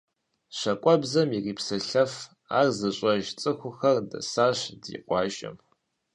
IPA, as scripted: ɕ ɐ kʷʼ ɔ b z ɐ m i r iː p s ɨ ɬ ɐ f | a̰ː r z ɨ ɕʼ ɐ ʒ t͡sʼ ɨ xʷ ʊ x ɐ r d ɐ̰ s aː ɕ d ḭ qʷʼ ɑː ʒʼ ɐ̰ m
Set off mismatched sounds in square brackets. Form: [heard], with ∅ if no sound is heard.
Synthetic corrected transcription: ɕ ɐ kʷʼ ɔ b z ɐ m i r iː p s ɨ ɬ ɐ f | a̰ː r z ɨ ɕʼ ɐ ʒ t͡sʼ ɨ xʷ ʊ x ɐ r d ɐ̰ s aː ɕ d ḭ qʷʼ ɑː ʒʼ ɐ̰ m